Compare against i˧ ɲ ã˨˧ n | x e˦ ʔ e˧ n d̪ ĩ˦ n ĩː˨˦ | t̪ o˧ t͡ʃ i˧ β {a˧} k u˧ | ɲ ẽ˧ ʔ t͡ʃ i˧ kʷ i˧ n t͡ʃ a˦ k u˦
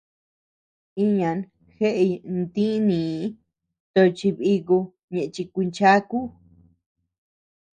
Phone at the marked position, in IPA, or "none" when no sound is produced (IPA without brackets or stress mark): i˧